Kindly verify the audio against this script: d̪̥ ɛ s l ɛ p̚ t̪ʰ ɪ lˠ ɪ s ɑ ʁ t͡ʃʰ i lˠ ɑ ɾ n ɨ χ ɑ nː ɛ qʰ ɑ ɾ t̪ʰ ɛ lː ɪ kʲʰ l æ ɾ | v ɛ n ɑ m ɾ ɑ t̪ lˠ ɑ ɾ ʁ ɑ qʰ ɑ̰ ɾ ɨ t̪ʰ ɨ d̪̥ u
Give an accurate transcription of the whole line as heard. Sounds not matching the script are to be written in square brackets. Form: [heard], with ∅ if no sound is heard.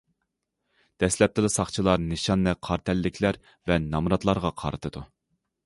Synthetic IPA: d̪̥ ɛ s l ɛ p̚ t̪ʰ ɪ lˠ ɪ s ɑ [χ] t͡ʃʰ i lˠ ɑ ɾ n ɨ [ʃ] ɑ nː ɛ qʰ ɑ ɾ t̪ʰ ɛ lː ɪ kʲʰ l æ ɾ | v ɛ n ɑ m ɾ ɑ t̪ lˠ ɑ ɾ ʁ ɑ qʰ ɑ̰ ɾ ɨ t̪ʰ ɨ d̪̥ u